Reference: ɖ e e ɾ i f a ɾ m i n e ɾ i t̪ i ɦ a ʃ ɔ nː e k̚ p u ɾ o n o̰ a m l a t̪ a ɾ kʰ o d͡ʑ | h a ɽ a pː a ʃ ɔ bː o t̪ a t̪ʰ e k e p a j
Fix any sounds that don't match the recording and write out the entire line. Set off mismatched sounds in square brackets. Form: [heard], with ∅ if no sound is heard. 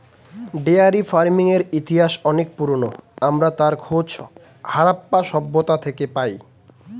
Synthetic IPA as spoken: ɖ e [a] ɾ i f a ɾ m i [ŋ] e ɾ i t̪ i ɦ a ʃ ɔ [n] e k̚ p u ɾ o n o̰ a m [ɾ] a t̪ a ɾ kʰ o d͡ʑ | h a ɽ a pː a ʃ ɔ bː o t̪ a t̪ʰ e k e p a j